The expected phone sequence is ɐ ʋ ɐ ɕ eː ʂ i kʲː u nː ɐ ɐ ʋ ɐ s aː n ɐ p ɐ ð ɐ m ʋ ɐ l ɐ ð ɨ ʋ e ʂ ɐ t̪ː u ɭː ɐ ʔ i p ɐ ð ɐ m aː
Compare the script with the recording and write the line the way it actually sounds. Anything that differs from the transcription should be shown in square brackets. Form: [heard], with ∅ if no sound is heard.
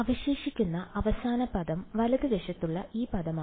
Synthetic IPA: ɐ ʋ ɐ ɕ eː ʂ i kʲː u nː ɐ ɐ ʋ ɐ s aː n ɐ p ɐ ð ɐ m ʋ ɐ l ɐ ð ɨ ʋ e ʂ ɐ t̪ː u ɭː ɐ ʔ [iː] p ɐ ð ɐ m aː